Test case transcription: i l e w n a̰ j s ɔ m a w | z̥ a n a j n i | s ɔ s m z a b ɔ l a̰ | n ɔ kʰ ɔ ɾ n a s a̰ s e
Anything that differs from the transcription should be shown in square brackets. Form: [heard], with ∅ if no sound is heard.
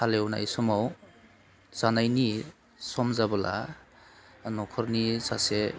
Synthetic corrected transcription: [a] l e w n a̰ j s ɔ m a w | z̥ a n a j n i | s ɔ [∅] m z a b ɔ l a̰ | n ɔ kʰ ɔ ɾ n [i] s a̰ s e

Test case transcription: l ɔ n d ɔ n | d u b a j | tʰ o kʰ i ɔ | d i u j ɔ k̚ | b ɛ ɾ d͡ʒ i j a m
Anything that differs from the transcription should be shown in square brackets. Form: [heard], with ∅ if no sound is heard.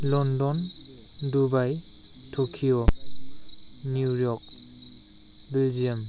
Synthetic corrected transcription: l ɔ n d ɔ n | d u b a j | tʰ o kʰ i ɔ | [n] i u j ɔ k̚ | b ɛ [l] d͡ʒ i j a m

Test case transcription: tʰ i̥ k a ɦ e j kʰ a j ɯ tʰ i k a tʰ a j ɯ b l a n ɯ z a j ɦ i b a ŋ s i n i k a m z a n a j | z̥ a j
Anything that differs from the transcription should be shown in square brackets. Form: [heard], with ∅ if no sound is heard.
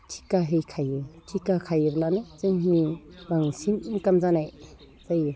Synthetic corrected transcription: tʰ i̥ k a ɦ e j kʰ a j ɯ tʰ i k a [kʰ] a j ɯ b l a n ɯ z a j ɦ i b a ŋ s i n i k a m z a n a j | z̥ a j

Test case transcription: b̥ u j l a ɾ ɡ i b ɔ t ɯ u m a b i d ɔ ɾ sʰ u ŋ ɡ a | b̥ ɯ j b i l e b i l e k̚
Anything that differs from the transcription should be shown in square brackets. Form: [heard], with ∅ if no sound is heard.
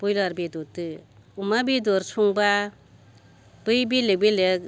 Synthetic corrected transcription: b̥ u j l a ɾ [b] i [d] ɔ t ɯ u m a b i d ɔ ɾ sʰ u ŋ [b] a | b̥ ɯ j b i l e b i l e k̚

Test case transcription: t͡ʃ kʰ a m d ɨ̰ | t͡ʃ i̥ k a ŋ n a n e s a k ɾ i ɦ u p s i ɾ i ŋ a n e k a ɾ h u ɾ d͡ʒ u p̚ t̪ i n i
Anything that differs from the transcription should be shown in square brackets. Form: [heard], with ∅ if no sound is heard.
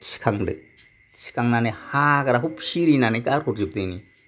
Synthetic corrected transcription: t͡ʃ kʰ a [ŋ] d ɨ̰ | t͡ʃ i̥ k a ŋ n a n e [h] a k ɾ [a] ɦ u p [ʃ] i ɾ i [n] a n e k a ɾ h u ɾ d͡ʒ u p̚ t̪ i n i

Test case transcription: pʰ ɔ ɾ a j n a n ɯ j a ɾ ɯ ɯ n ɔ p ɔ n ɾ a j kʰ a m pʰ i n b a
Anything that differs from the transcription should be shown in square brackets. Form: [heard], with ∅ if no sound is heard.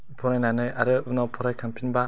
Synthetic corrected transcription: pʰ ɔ ɾ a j n a n ɯ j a ɾ ɯ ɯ n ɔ [pʰ] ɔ [∅] ɾ a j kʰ a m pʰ i n b a

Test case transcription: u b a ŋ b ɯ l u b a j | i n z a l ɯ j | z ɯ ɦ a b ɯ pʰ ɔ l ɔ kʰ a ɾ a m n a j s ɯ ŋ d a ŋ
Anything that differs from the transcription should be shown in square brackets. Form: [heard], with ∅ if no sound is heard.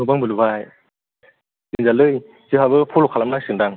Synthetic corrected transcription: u b a ŋ b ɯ l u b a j | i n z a l ɯ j | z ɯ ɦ a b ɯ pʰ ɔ l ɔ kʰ a [l] a m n a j s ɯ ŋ d a ŋ

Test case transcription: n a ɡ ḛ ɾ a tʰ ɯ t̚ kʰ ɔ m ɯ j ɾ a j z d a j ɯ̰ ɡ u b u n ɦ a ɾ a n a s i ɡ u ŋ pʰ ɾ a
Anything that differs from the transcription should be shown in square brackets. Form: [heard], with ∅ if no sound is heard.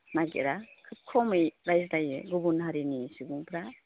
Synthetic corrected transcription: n a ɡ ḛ ɾ a [kʰ] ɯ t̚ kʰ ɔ m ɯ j ɾ a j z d a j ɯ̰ ɡ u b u n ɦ a ɾ [i] n [i] s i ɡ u ŋ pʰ ɾ a

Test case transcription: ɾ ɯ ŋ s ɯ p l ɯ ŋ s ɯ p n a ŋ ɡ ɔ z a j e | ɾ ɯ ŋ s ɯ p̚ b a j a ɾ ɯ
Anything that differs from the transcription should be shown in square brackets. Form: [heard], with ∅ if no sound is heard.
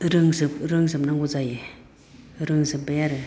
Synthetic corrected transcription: ɾ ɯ ŋ s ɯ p [ɾ] ɯ ŋ s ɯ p n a ŋ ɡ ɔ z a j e | ɾ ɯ ŋ s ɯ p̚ b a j a ɾ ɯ

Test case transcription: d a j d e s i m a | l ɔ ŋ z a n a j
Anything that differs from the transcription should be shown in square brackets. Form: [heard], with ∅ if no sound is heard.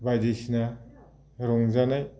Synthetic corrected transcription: [b] a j d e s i [n] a | [ɾ] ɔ ŋ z a n a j

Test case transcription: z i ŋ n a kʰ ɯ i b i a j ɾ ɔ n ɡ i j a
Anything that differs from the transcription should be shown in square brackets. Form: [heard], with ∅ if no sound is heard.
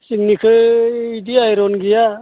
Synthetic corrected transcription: [s] i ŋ n [i] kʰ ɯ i [d] i a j ɾ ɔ n ɡ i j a

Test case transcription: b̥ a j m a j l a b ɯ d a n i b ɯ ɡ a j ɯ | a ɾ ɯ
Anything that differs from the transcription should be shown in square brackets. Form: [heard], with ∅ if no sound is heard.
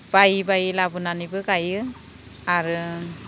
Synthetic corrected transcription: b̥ a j [b] a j l a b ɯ [n] a n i b ɯ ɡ a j ɯ | a ɾ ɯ

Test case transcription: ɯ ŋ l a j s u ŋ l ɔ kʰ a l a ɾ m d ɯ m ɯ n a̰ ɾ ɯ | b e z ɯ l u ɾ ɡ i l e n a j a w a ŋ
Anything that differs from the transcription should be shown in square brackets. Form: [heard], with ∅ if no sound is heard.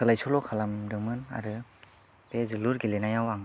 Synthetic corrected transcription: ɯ [∅] l a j s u [∅] l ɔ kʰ a l a [∅] m d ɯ m ɯ n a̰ ɾ ɯ | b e z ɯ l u ɾ ɡ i l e n a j a w a ŋ

